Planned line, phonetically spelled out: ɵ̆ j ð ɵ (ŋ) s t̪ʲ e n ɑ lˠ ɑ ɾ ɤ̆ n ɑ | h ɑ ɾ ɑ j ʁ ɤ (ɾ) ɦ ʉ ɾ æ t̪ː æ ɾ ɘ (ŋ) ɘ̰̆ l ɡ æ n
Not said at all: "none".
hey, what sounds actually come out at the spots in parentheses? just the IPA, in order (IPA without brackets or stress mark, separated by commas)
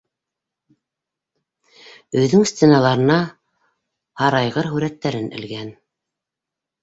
ŋ, ɾ, n